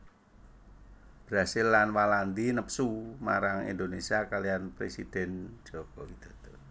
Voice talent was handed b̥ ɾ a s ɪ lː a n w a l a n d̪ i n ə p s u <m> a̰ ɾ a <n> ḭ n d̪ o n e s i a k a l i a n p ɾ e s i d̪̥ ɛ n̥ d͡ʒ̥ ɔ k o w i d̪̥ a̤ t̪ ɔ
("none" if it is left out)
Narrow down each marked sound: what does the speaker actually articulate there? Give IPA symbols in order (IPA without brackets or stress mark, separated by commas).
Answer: m, ŋ